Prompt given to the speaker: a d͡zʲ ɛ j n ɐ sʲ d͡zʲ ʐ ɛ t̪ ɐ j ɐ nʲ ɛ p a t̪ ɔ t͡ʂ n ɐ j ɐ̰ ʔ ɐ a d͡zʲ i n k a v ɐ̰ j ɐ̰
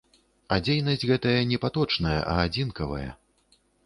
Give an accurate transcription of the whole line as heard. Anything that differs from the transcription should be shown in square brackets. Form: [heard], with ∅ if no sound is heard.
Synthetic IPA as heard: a d͡zʲ [e] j n ɐ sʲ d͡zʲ [ɣ] ɛ t̪ ɐ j ɐ nʲ ɛ p a t̪ ɔ t͡ʂ n ɐ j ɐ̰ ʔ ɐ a d͡zʲ i n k [ɐ] v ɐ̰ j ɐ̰

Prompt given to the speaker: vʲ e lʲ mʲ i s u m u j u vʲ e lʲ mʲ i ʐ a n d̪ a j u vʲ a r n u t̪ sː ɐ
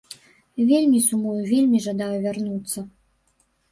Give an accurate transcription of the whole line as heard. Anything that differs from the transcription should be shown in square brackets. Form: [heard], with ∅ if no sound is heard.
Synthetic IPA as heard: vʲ e lʲ mʲ i s u m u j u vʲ e lʲ mʲ i ʐ a [∅] d̪ a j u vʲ a r n u t̪ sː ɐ

